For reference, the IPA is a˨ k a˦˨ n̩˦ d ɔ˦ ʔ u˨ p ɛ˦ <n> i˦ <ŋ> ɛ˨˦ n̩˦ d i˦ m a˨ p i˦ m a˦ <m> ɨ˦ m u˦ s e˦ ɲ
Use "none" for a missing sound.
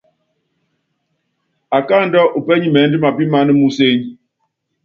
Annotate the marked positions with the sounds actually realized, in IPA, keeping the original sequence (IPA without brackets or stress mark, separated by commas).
ɲ, m, n